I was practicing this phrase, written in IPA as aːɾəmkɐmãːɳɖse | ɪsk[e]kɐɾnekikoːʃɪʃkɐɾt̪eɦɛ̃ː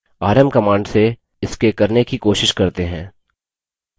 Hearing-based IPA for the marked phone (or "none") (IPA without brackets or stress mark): e